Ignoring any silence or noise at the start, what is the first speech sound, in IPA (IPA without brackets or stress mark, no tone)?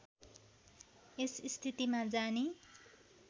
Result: e